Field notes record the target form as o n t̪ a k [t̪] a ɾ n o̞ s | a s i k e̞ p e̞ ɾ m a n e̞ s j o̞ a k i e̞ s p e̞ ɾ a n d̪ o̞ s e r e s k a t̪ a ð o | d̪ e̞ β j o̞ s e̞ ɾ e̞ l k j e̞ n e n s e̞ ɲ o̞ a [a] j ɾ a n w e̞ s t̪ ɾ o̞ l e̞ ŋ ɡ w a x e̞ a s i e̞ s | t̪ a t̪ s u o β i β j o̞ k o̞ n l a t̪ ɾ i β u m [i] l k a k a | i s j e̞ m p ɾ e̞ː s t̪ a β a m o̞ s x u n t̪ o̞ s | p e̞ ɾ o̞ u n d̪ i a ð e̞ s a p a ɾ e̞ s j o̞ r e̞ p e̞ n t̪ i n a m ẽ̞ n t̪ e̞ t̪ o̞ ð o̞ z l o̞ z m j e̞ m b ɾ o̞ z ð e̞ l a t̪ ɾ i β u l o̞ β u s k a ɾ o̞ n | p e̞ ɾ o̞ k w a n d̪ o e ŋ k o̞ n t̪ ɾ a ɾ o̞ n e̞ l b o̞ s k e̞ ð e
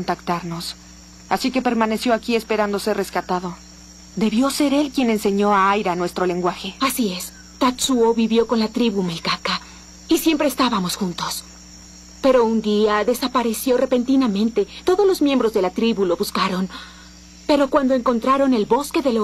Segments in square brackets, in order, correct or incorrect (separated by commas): correct, correct, incorrect